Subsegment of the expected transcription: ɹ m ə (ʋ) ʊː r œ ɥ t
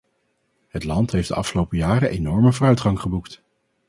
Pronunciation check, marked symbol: incorrect: v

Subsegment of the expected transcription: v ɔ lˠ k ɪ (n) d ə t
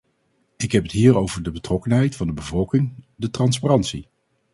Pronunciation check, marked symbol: incorrect: ŋ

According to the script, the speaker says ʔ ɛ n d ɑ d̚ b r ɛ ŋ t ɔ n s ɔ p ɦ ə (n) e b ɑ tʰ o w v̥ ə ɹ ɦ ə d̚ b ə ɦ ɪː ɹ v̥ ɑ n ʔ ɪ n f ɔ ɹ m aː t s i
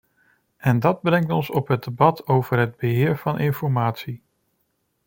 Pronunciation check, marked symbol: incorrect: d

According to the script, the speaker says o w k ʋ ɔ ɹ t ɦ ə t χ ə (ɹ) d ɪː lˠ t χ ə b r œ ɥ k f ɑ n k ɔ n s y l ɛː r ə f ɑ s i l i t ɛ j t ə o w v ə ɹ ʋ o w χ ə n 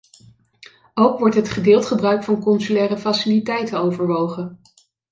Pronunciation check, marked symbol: incorrect: none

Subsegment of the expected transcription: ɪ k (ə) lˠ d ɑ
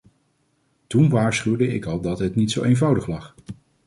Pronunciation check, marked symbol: incorrect: ɑ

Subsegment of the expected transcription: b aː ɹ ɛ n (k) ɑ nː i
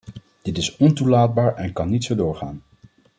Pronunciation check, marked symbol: correct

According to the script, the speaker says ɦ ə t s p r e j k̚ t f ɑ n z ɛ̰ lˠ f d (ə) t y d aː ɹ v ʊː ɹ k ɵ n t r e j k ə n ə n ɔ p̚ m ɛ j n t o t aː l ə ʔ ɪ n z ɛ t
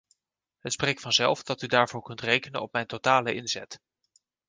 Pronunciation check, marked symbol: incorrect: ɑ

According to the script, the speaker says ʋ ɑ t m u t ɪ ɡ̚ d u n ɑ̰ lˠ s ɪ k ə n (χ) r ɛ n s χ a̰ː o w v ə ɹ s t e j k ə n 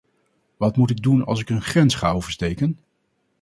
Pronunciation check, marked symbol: correct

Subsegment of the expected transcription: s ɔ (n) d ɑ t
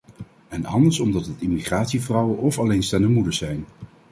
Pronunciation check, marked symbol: incorrect: m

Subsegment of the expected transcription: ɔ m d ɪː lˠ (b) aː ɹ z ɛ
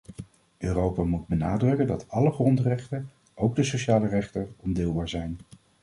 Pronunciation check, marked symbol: correct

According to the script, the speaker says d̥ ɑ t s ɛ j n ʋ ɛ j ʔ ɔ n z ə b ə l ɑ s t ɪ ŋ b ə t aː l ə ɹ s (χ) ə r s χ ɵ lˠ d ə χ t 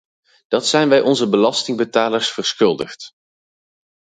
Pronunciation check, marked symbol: incorrect: f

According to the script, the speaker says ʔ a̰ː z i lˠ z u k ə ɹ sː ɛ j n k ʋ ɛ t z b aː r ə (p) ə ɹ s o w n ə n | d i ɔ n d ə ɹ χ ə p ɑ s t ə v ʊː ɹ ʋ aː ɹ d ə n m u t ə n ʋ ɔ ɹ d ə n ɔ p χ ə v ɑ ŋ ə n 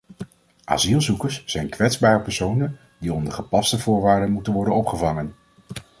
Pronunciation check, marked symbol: correct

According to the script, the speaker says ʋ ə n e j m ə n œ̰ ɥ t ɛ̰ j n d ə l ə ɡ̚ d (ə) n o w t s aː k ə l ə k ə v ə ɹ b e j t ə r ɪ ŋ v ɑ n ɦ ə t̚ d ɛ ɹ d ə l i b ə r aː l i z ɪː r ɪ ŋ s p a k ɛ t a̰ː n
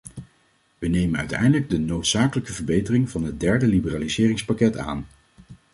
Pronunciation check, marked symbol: correct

